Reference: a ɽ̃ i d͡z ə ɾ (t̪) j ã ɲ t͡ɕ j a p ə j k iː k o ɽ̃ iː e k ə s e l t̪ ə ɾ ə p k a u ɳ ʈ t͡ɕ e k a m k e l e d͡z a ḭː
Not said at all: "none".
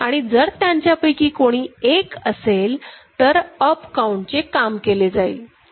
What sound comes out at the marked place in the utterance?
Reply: t̪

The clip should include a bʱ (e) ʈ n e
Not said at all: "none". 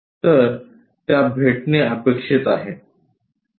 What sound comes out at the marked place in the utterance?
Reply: e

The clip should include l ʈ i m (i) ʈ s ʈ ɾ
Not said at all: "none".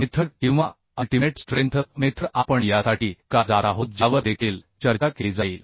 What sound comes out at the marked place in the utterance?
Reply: e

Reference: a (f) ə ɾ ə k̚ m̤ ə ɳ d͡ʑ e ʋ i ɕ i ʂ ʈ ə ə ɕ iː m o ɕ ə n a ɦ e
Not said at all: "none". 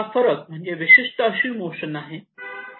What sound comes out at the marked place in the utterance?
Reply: f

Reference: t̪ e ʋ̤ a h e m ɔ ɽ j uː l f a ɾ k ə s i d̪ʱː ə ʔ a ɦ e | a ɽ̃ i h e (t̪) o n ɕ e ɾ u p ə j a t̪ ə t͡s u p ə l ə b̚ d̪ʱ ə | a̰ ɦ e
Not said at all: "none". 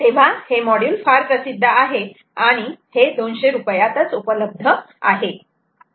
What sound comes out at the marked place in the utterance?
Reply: d̪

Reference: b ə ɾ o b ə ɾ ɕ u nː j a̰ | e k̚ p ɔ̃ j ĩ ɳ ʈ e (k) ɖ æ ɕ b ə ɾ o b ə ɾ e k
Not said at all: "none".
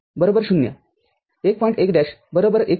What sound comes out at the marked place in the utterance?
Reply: k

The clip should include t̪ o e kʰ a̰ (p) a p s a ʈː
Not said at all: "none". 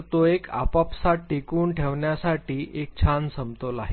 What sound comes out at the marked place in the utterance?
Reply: p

